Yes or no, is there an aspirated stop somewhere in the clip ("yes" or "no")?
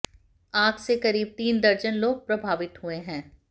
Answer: no